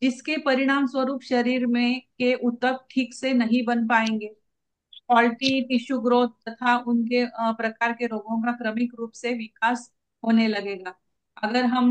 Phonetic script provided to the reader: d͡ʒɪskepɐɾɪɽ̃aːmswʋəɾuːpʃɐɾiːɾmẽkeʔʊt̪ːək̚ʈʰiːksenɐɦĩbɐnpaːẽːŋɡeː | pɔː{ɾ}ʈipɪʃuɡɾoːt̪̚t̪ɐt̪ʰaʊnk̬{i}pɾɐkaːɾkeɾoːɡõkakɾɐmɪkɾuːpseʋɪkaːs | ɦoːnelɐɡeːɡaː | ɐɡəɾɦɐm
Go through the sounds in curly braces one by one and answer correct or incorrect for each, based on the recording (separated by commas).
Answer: incorrect, incorrect